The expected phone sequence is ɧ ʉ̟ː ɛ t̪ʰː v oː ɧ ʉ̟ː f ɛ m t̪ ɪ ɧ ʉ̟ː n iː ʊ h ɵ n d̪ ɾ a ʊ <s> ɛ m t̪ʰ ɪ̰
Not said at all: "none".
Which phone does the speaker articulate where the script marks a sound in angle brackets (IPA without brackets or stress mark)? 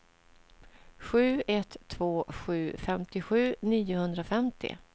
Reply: f